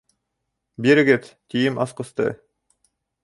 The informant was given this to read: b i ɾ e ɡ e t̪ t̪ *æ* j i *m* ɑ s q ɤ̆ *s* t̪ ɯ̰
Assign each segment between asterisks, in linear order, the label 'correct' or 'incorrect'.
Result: incorrect, correct, correct

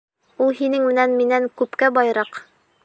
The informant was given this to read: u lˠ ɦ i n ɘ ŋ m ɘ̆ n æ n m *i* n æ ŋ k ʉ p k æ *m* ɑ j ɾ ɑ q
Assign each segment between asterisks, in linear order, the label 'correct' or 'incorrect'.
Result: correct, incorrect

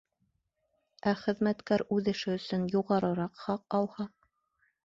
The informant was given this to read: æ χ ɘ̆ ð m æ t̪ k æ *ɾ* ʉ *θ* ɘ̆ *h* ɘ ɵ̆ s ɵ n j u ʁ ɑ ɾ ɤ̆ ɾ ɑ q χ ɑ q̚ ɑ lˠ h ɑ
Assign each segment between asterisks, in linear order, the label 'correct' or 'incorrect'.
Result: correct, incorrect, incorrect

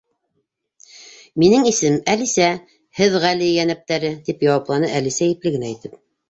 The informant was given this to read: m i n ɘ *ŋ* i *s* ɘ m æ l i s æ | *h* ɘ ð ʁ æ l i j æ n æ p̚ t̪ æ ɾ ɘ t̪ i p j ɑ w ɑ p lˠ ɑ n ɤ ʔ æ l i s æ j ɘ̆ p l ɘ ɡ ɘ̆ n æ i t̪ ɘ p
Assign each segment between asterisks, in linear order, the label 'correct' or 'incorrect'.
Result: correct, correct, correct

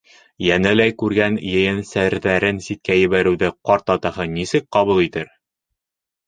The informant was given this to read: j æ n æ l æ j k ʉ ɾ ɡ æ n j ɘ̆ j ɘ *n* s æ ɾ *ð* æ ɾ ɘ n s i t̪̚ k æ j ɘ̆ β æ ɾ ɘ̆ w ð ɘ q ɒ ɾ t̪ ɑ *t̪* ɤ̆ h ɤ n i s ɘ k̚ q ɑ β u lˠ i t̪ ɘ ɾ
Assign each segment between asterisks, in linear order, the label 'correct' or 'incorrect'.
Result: correct, correct, correct

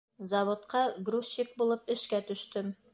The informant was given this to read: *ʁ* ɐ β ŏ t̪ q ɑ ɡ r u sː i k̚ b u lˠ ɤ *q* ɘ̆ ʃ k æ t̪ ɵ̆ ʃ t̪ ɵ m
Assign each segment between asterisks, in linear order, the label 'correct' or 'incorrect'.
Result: incorrect, incorrect

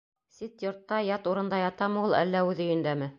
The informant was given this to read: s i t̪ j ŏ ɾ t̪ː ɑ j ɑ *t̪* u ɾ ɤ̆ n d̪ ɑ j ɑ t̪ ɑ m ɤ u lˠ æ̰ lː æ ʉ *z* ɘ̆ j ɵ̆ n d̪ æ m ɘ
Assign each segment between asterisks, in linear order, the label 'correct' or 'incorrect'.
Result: correct, incorrect

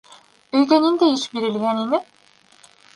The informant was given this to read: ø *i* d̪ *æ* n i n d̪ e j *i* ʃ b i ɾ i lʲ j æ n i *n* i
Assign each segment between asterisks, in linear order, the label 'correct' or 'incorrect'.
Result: incorrect, incorrect, correct, correct

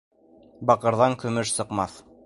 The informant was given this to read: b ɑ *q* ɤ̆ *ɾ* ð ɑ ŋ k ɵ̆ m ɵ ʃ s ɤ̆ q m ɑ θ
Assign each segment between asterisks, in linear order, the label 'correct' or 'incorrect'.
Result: correct, correct

